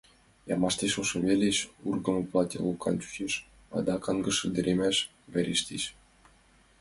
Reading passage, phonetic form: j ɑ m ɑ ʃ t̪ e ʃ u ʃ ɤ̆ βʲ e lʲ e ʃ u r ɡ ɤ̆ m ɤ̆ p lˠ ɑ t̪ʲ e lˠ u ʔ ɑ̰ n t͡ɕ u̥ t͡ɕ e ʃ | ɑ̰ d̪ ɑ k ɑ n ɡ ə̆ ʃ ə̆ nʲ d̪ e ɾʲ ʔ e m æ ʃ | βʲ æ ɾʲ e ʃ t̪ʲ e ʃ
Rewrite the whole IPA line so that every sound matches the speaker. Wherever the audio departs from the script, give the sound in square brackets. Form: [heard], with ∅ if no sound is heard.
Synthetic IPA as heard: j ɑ m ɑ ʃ t̪ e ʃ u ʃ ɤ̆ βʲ e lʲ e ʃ u r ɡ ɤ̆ m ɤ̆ p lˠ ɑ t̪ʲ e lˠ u [k] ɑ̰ n t͡ɕ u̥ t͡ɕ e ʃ | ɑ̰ d̪ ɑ k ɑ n ɡ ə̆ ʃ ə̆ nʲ d̪ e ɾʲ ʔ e m æ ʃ | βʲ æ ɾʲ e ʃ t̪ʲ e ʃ